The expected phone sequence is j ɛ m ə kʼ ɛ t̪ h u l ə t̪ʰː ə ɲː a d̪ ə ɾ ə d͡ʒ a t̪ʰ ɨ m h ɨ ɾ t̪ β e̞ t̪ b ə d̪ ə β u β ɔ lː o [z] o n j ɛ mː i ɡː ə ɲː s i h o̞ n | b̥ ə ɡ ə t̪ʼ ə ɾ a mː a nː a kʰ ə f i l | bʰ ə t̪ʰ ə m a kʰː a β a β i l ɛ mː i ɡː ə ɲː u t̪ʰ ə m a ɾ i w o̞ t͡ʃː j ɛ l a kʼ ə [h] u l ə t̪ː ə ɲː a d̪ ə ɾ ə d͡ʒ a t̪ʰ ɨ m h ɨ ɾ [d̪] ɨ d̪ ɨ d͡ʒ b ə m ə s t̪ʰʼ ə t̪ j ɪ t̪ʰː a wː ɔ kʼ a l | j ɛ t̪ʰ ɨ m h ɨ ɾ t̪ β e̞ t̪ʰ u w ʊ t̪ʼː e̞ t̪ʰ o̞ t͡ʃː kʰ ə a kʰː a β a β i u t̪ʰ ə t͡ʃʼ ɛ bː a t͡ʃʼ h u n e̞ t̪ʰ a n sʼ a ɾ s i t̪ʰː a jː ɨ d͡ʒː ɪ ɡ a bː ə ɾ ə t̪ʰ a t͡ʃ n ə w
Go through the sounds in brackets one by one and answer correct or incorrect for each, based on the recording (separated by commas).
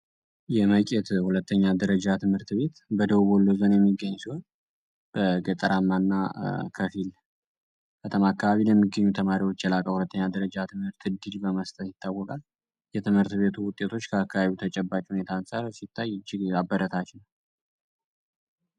correct, correct, incorrect